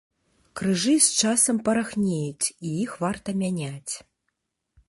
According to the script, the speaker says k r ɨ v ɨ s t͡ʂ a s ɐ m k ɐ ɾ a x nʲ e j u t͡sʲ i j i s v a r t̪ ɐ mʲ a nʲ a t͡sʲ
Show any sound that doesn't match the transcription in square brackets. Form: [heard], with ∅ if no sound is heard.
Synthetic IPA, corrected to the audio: k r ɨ [ʐ] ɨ s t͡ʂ a s ɐ m [p] ɐ ɾ a x nʲ e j u t͡sʲ i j i [x] v a r t̪ ɐ mʲ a nʲ a t͡sʲ